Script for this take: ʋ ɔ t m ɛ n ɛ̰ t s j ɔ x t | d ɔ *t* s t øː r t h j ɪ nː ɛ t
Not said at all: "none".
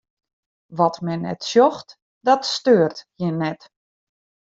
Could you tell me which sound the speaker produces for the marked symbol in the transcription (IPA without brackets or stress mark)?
t